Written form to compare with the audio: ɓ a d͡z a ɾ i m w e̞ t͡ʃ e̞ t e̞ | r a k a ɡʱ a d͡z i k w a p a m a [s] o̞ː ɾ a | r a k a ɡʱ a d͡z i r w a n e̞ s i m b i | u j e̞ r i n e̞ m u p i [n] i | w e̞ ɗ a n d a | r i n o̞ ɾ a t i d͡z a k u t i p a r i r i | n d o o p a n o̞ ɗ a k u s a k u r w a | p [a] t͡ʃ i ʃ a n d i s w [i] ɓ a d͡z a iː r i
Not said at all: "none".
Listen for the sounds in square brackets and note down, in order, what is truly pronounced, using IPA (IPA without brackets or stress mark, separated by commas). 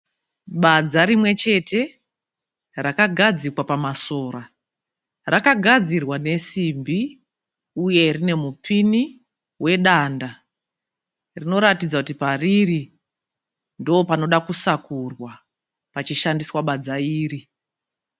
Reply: s, n, a, a